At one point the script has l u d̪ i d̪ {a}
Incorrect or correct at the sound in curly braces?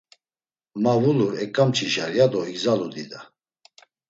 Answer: correct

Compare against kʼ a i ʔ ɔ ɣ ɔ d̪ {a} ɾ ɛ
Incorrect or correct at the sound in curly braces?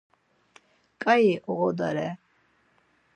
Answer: correct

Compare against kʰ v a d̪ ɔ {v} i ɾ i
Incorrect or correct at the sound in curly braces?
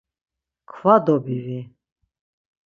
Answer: incorrect: b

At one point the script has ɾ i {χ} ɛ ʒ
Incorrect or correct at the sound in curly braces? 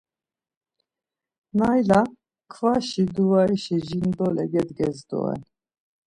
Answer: incorrect: ʃ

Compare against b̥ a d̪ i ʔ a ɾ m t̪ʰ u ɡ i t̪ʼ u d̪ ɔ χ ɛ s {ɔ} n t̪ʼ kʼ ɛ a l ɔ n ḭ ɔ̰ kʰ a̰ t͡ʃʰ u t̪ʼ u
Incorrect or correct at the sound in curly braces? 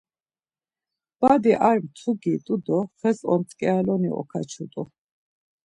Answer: correct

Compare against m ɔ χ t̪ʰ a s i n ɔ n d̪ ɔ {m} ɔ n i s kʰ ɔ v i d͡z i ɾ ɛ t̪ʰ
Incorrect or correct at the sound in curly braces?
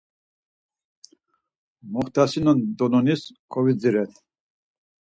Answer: incorrect: n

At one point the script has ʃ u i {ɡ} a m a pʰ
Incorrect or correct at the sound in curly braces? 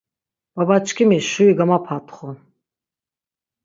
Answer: correct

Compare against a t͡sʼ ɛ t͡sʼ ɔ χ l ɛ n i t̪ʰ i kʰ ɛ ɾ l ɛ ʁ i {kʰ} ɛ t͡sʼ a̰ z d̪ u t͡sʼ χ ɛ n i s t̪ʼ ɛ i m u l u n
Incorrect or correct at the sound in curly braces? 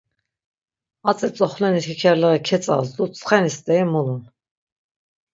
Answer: correct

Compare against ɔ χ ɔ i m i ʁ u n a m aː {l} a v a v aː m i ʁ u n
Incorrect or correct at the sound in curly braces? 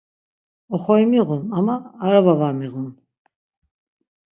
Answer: incorrect: ɾ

